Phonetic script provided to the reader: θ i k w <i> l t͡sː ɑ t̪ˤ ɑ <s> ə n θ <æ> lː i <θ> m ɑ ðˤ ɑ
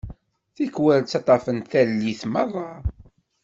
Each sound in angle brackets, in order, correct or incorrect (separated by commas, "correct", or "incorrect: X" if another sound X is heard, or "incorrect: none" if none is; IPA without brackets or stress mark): incorrect: æ, incorrect: f, correct, correct